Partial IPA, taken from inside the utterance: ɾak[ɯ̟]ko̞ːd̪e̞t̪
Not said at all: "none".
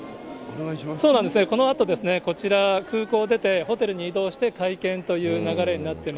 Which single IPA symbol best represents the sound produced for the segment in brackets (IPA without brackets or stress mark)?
ɯ̟ː